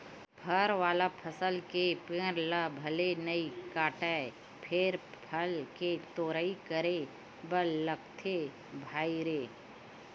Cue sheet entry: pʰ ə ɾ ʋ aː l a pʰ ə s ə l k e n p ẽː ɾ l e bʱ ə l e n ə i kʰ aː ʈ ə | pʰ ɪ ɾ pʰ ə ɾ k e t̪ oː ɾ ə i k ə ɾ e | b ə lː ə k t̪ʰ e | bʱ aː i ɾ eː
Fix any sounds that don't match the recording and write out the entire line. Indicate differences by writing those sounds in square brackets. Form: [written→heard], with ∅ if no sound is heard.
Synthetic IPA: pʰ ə ɾ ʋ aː l a pʰ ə s ə l k e [n→∅] p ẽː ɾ l [e→a] bʱ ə l e n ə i [kʰ→k] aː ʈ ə | pʰ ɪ ɾ pʰ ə [ɾ→l] k e t̪ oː ɾ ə i k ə ɾ e | b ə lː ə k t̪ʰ e | bʱ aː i ɾ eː